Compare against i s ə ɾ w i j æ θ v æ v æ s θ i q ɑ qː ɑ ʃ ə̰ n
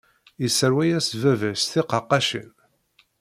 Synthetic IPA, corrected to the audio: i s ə ɾ w æ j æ s v æ v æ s θ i q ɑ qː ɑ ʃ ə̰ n